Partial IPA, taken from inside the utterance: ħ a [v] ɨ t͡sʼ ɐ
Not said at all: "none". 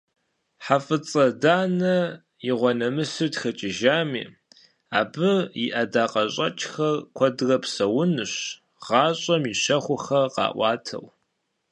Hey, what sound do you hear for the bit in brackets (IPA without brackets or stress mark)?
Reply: f